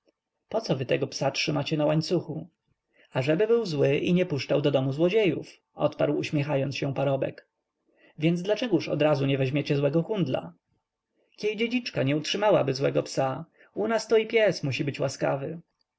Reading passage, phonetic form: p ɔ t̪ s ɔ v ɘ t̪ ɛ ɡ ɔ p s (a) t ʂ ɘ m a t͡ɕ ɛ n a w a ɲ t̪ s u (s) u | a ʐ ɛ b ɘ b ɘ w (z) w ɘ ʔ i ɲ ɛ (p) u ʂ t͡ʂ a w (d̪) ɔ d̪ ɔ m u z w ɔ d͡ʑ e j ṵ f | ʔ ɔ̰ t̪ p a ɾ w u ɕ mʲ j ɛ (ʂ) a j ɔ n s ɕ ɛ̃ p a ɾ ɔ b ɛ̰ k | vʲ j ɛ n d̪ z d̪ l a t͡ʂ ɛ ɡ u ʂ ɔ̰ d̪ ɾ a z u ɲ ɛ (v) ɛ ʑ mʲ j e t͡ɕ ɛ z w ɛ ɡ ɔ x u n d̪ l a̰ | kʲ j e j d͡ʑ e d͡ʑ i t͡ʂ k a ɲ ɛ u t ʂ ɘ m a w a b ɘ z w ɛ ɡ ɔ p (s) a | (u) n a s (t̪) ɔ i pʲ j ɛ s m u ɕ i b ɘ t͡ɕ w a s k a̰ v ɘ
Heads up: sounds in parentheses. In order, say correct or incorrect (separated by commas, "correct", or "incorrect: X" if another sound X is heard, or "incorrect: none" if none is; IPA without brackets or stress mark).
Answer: correct, incorrect: x, correct, correct, correct, incorrect: x, correct, correct, correct, correct